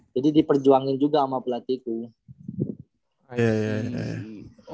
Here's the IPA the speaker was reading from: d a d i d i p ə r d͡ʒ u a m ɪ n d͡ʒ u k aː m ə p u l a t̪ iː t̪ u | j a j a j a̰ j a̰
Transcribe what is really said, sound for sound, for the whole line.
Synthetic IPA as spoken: d͡ʒ a d i d i p ə r d͡ʒ u a ŋ ɪ n d͡ʒ u ɡ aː m a p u l a t̪ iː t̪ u | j a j a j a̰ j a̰